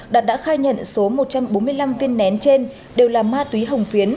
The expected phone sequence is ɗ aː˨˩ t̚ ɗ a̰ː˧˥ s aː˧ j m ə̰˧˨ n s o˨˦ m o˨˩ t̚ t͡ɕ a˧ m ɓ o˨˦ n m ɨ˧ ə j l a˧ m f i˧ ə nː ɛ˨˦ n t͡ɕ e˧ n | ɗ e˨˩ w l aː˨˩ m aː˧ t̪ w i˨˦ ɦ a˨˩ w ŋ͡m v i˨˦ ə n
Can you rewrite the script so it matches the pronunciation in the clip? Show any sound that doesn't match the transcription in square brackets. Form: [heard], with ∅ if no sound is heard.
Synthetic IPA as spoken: ɗ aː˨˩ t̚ ɗ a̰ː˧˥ [x] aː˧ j [ɲ] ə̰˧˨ n s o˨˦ m o˨˩ t̚ t͡ɕ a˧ m ɓ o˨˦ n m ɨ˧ ə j l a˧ m [v] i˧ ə nː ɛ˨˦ n t͡ɕ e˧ n | ɗ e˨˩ w l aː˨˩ m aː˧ t̪ w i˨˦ ɦ [ə˨˩] w ŋ͡m [f] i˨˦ ə n